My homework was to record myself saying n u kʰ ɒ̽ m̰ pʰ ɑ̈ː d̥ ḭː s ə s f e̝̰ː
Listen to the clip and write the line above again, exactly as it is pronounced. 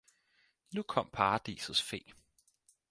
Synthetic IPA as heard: n u kʰ ɒ̽ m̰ pʰ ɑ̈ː d̥ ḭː s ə s f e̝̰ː